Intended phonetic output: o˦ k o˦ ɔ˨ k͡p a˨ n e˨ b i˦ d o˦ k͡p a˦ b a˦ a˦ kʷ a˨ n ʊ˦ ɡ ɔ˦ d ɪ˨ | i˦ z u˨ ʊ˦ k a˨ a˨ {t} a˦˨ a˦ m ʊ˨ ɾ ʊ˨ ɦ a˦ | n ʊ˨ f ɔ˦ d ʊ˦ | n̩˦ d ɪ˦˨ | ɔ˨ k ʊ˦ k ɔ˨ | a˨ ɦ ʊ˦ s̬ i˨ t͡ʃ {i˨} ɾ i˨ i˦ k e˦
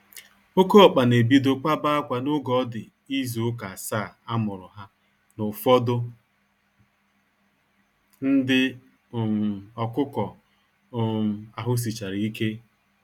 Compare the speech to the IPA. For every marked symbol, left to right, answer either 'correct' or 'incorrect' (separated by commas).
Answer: incorrect, incorrect